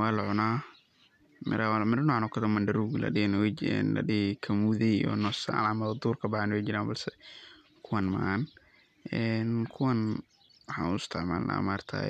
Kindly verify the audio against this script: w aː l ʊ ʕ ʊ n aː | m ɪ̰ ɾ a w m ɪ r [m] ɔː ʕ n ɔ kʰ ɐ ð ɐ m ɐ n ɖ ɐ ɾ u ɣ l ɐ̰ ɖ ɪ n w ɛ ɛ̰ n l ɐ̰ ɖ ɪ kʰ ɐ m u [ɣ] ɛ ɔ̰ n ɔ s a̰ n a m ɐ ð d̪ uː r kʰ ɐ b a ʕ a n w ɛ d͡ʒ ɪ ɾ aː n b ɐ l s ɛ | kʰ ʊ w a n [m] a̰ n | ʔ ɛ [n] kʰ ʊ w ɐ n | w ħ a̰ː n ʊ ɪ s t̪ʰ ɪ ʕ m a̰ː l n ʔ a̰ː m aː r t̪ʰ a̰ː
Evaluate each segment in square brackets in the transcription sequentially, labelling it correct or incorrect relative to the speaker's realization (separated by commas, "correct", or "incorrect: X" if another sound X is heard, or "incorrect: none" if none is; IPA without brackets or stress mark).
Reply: incorrect: n, incorrect: ð, correct, correct